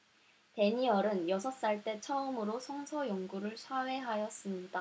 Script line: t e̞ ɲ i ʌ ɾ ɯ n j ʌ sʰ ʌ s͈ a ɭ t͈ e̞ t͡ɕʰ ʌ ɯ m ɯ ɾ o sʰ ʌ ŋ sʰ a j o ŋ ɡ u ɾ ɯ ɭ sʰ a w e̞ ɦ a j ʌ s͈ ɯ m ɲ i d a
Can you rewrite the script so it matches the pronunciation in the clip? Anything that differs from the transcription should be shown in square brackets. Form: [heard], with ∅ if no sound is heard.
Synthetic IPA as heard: t e̞ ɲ i ʌ ɾ ɯ n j ʌ sʰ ʌ s͈ a ɭ t͈ e̞ t͡ɕʰ ʌ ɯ m ɯ ɾ o sʰ ʌ ŋ sʰ [ʌ] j o ŋ ɡ u ɾ ɯ ɭ sʰ a w e̞ ɦ a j ʌ s͈ ɯ m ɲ i d a